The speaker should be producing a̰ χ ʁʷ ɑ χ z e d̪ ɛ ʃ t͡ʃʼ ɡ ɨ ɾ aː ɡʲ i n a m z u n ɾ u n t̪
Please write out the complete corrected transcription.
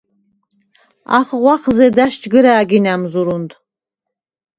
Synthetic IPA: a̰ χ ʁʷ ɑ χ z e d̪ a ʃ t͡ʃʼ ɡ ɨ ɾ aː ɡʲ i n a m z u ɾ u n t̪